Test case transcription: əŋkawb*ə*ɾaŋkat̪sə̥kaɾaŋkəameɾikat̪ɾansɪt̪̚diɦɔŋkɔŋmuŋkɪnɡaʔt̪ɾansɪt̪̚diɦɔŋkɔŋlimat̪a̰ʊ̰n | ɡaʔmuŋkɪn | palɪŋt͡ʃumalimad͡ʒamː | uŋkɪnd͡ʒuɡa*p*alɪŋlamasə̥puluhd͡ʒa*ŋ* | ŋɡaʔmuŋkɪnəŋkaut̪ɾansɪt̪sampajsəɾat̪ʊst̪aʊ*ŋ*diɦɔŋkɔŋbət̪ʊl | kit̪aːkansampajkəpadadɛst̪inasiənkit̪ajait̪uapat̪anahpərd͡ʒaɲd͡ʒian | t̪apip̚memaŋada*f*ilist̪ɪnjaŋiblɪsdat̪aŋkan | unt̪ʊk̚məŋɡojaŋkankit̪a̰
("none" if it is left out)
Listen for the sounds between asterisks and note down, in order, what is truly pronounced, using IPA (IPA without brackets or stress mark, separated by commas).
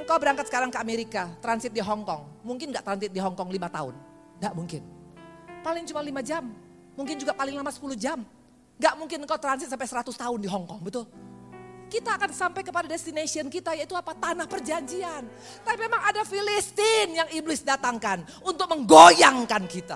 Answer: ə, p, m, n, f